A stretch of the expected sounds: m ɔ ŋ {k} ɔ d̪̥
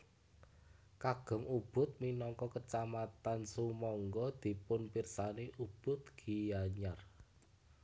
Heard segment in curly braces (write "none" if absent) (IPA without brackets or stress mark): ɡ